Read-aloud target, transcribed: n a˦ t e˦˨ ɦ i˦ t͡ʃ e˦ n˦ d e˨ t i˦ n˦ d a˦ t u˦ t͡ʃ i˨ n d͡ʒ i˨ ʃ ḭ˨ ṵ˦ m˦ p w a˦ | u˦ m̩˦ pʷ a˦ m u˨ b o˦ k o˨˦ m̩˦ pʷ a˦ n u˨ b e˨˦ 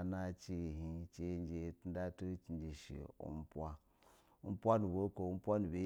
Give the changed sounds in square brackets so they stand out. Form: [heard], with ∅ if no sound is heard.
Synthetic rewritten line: n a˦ [t͡ʃ] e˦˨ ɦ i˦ t͡ʃ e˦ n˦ [d͡ʒ] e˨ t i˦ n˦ d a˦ t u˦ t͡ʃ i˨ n d͡ʒ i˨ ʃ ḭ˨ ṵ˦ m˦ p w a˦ | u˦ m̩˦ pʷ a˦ [n] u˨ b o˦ k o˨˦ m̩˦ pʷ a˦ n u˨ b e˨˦